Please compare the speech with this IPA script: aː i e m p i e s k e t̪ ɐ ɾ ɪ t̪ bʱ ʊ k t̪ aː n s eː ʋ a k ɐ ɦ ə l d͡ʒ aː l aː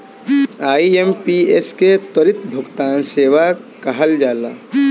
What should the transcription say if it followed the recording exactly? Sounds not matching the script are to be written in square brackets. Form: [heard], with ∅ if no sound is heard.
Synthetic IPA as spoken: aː i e m p i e s k e t̪ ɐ ɾ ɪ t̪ bʱ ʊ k t̪ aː n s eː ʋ a k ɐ ɦ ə l d͡ʒ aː l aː

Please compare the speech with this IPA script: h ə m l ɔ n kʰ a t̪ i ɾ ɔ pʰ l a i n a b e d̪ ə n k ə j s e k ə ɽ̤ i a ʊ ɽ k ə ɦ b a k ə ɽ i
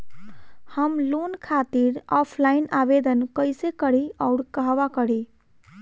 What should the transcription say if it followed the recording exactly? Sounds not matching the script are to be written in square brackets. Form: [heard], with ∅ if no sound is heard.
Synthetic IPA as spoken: h ə m l [o] n kʰ a t̪ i ɾ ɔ pʰ l a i n a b e d̪ ə n k ə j s e k ə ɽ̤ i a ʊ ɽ k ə ɦ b a k ə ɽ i

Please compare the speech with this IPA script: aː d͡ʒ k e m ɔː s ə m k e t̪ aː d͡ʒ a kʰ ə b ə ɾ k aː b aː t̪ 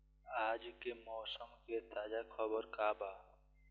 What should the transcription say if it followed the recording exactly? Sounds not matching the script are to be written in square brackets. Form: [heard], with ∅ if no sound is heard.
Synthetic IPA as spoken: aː d͡ʒ k e m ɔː s ə m k e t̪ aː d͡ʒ a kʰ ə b ə ɾ k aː b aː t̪

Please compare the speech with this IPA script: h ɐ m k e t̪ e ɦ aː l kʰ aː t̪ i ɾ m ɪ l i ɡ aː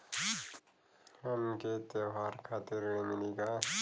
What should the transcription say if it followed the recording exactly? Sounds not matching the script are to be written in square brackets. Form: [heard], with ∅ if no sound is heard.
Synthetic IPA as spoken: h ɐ m k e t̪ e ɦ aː [ɾ] kʰ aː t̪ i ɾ m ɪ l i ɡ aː

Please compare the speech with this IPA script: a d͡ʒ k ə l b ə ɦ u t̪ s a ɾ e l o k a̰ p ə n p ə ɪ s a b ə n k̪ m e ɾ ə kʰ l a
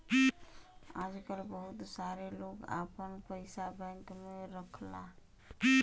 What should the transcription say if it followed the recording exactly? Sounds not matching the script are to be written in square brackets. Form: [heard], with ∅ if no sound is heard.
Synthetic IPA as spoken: a d͡ʒ k ə l b ə ɦ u t̪ s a ɾ e l o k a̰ p ə n p ə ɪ s a b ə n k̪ m e ɾ ə kʰ l a

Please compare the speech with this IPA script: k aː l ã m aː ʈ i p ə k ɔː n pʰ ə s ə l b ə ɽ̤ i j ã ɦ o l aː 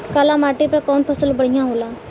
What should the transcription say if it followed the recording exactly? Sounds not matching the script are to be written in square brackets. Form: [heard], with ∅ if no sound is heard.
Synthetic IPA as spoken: k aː l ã m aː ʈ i p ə k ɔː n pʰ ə s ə l b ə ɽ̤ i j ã ɦ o l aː

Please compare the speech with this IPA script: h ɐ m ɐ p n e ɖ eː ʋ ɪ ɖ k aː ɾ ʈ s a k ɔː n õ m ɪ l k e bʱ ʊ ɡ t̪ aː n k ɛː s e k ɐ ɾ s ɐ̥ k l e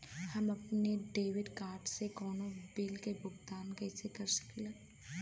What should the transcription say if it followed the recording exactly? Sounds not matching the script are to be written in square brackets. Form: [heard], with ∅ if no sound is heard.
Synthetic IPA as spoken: h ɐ m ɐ p n e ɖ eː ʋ ɪ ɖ k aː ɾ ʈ s [e] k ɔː n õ [b] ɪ l k e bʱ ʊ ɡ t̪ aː n k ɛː s e k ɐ ɾ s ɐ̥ k l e

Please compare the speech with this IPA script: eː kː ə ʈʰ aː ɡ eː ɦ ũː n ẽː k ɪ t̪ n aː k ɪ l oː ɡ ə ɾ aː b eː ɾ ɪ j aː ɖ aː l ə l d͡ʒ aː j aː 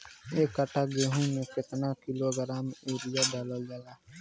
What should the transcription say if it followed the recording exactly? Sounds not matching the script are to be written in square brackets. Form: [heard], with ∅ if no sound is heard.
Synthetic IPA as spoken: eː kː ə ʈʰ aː ɡ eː ɦ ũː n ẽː k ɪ t̪ n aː k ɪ l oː ɡ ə ɾ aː [m] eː ɾ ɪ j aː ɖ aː l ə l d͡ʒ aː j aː

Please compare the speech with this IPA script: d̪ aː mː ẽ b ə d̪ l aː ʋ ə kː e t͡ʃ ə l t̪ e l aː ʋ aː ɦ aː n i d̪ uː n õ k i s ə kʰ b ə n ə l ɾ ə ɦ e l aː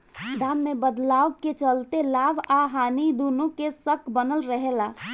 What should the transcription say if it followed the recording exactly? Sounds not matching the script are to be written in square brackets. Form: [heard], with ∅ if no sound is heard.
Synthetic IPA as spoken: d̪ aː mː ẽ b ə d̪ l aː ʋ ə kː e t͡ʃ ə l t̪ e l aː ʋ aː ɦ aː n i d̪ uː n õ k [e] s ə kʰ b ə n ə l ɾ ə ɦ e l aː

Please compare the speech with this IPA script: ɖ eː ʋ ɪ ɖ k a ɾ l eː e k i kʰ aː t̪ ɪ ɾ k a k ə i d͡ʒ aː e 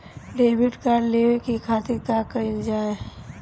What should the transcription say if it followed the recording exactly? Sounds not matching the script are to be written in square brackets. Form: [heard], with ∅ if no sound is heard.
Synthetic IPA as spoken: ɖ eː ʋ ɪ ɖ k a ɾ l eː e k i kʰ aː t̪ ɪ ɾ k a k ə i d͡ʒ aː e

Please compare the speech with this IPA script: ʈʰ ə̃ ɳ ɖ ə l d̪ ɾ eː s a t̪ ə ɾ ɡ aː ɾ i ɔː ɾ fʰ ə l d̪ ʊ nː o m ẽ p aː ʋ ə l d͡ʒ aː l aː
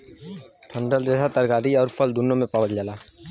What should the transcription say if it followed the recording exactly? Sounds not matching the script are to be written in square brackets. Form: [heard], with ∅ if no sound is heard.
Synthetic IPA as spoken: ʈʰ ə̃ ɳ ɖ ə l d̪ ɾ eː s a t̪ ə ɾ ɡ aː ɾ i ɔː ɾ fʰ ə l d̪ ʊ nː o m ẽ p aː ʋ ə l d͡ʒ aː l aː

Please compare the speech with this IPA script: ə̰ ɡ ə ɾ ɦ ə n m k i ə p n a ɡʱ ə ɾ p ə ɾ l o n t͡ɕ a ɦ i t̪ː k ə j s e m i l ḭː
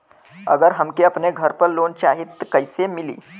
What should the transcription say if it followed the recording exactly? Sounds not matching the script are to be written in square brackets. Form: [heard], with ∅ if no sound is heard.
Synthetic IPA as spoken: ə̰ ɡ ə ɾ ɦ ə [∅] m k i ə p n [e] ɡʱ ə ɾ p ə ɾ l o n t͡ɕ a ɦ i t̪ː k ə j s e m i l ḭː

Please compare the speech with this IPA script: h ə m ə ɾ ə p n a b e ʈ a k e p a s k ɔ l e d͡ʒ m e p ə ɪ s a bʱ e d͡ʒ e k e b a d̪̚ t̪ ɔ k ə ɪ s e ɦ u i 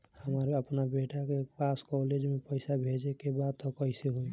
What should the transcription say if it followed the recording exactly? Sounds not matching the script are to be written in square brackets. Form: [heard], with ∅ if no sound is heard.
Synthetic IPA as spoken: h ə m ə ɾ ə p n a b e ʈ a k e p a s k ɔ l e d͡ʒ m e p ə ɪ s a bʱ e d͡ʒ e k e b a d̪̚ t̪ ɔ k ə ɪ s e ɦ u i

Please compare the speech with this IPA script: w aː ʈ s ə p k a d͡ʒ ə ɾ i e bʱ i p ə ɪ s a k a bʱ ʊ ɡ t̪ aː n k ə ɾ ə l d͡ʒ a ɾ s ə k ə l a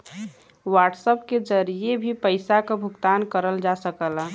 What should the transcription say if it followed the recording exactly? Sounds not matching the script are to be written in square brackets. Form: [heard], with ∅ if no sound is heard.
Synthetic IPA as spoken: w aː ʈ s ə p k [e] d͡ʒ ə ɾ i e bʱ i p ə ɪ s a k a bʱ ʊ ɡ t̪ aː n k ə ɾ ə l d͡ʒ a [∅] s ə k ə l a

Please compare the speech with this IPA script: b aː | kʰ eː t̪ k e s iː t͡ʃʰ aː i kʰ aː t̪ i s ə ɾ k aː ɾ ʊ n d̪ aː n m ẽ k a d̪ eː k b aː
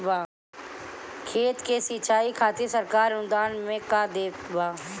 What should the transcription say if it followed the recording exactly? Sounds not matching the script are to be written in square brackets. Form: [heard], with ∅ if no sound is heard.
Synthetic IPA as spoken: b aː | kʰ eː t̪ k e s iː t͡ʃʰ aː i kʰ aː t̪ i s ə ɾ k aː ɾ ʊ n d̪ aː n m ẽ k a d̪ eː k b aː

